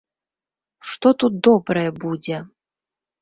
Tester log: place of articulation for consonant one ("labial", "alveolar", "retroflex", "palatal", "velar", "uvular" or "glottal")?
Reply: retroflex